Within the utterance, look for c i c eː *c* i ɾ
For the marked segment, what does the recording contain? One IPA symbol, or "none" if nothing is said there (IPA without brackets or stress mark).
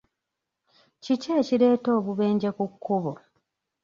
c